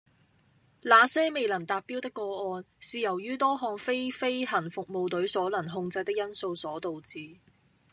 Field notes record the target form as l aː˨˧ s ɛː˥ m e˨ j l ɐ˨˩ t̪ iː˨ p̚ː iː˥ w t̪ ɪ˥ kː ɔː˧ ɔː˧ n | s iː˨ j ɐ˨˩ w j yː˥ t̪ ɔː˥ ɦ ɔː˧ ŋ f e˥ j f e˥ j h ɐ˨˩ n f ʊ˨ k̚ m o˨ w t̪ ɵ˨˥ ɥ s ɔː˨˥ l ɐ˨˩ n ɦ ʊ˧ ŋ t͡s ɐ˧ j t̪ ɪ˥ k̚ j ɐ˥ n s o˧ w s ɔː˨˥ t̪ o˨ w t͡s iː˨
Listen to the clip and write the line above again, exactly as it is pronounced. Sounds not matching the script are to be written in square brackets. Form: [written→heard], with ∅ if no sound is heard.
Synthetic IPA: l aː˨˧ s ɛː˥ m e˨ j l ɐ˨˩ t̪ [iː˨→aː˨] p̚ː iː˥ w t̪ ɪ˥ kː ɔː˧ ɔː˧ n | s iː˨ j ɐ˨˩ w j yː˥ t̪ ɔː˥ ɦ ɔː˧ ŋ f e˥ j f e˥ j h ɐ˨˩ n f ʊ˨ k̚ m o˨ w t̪ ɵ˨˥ ɥ s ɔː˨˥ l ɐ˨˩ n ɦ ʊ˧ ŋ t͡s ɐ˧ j t̪ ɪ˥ k̚ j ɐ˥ n s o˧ w s ɔː˨˥ t̪ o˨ w t͡s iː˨